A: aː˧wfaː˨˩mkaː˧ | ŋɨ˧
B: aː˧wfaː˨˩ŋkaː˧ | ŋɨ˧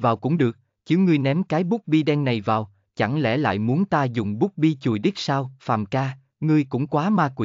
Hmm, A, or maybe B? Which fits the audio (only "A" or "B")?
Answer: A